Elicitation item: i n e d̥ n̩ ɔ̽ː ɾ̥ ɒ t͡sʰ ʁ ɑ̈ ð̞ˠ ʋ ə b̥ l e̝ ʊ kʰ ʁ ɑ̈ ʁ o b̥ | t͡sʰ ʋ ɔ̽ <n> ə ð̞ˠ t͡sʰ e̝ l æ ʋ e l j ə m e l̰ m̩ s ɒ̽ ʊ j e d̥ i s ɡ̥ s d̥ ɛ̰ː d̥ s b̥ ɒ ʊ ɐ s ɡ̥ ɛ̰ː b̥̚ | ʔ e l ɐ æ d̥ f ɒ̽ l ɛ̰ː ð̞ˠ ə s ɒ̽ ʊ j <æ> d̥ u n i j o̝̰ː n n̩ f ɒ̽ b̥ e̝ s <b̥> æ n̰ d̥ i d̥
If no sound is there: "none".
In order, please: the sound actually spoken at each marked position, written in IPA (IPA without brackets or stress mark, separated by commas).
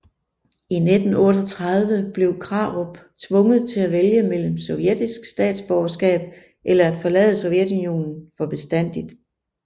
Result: ŋ, e, d̥